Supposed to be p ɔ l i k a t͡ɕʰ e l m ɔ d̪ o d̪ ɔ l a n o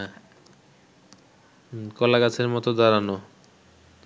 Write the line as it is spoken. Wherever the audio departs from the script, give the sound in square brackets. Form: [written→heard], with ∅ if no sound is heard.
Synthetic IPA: [p→k] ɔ l [i→a] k a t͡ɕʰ e [l→ɾ] m ɔ [d̪→t̪] o d̪ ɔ [l→ɾ] a n o